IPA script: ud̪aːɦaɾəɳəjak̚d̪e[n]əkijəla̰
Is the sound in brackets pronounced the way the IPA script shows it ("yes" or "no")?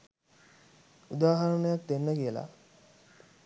no